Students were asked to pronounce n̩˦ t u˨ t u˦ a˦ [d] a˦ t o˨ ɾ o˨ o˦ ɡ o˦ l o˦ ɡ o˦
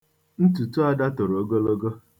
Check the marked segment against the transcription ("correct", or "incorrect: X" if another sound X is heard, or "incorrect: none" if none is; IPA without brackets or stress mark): correct